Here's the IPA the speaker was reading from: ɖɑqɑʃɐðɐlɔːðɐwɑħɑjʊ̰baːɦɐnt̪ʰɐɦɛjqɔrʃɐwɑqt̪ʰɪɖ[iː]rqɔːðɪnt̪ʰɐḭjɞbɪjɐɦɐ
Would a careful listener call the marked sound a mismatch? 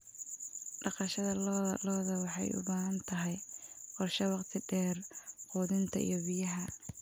yes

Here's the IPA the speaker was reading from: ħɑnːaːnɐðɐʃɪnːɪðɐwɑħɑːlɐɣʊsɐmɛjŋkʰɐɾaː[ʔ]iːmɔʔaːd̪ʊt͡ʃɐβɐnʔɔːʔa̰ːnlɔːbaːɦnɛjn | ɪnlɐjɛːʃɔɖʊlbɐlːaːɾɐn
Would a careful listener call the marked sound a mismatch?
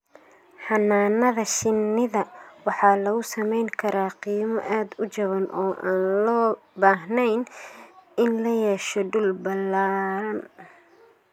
yes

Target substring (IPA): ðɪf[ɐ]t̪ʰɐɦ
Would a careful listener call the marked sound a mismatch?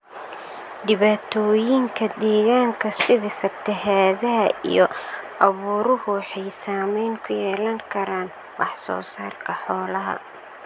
no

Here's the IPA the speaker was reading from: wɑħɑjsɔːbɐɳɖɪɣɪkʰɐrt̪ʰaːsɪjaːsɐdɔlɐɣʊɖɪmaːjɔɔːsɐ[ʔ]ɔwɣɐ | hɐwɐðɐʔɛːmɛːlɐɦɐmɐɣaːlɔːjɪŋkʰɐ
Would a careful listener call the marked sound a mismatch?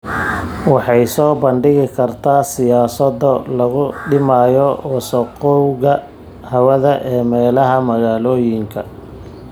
yes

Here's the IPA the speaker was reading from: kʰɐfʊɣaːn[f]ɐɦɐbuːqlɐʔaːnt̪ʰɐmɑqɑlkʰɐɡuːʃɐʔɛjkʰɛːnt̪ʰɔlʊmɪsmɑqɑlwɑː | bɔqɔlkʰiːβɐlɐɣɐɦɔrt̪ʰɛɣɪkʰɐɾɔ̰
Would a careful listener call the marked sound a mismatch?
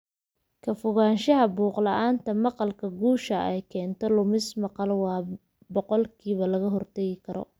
yes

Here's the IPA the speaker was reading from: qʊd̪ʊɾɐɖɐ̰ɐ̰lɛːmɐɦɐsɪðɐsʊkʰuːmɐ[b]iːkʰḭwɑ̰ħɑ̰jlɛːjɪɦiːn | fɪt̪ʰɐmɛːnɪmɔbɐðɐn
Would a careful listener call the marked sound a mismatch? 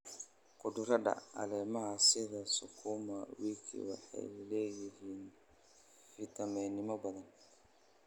yes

